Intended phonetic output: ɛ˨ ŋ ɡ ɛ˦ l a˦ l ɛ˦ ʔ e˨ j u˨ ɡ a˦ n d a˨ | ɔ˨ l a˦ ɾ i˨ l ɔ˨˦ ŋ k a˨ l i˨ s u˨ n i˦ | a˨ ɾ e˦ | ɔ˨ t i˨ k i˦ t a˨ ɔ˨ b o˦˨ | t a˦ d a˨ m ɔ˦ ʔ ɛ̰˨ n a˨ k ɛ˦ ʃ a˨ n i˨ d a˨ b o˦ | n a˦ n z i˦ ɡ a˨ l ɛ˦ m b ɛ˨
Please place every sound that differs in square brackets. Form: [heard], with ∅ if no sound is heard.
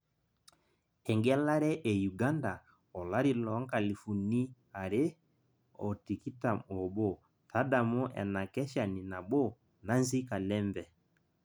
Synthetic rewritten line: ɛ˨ ŋ ɡ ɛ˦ l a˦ [ɾ] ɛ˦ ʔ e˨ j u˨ ɡ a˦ n d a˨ | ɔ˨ l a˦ ɾ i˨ l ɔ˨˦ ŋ k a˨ l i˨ [f] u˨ n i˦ | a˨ ɾ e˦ | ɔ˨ t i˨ k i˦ t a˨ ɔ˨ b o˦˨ | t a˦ d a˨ m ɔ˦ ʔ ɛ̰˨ n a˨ k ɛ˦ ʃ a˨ n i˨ [n] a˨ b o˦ | n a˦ n z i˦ [k] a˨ l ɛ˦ m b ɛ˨